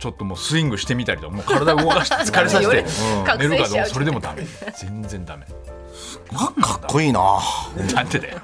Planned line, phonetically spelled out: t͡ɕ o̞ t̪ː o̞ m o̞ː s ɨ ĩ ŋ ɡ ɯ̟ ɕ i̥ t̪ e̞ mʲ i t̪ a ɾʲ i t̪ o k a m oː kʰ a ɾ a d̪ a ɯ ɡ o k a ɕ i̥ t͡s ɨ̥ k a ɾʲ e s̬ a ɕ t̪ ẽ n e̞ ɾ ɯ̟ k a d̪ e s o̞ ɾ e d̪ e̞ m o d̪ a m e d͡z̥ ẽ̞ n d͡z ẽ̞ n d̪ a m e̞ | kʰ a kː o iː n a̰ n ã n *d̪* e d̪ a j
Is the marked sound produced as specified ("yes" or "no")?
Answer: no